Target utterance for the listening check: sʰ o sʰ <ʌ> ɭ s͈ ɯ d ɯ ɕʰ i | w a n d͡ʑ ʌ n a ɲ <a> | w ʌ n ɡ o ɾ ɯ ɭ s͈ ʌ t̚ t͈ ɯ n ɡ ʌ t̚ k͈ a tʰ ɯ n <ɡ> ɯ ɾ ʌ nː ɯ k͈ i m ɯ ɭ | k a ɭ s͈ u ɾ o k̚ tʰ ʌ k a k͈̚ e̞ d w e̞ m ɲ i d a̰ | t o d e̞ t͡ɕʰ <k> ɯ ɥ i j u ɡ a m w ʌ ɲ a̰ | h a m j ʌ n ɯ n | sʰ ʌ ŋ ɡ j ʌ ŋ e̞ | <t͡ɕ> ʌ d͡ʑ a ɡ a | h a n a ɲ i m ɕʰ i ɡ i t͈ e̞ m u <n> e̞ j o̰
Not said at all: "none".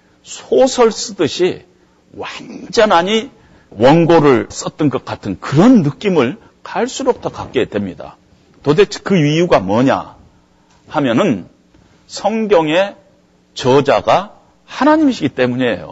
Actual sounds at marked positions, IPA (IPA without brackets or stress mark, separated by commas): ʌ, i, k, k, t͡ɕ, ɲ